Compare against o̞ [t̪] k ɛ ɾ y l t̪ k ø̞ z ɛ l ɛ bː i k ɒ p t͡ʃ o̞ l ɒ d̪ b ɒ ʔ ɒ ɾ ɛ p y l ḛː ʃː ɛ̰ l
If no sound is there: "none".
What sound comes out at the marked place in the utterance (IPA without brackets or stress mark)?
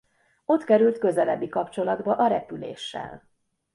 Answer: t̪